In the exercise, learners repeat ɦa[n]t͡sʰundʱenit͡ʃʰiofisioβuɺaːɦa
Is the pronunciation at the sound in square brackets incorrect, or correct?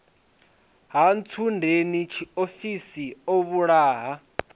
correct